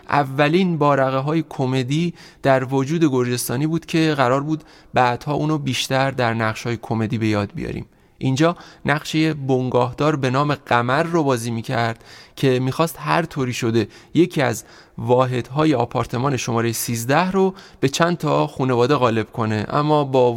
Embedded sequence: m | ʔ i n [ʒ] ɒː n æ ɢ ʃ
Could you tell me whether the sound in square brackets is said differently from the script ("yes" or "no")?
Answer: yes